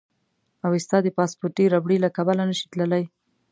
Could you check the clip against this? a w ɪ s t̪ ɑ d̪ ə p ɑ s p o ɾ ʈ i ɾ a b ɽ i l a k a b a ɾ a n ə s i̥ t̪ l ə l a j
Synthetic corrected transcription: a w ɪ s t̪ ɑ d̪ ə p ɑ s p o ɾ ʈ i ɾ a b ɽ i l a k a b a l a n ə ʃ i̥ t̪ l ə l a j